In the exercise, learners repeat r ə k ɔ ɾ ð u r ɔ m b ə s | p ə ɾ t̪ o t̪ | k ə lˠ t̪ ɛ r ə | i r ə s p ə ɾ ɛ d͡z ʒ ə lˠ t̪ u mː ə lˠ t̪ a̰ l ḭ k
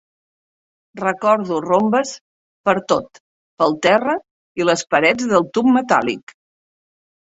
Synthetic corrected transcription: r ə k ɔ ɾ ð u r o m b ə s | p ə ɾ t̪ o t̪ | p ə lˠ t̪ ɛ r ə | i l ə s p ə ɾ ɛ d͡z ð ə lˠ t̪ u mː ə t̪ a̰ l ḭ k